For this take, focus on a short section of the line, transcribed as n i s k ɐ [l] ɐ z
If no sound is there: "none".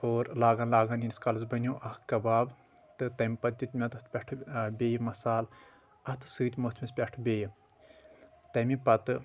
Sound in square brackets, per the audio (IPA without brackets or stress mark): l